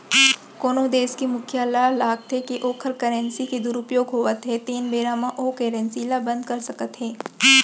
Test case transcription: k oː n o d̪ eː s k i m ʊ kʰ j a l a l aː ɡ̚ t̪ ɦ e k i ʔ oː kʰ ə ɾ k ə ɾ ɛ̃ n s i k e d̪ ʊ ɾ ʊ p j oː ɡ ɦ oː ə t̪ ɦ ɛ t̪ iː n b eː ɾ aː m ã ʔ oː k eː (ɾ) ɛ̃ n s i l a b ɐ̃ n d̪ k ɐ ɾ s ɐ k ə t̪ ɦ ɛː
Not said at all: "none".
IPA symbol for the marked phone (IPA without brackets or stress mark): ɾ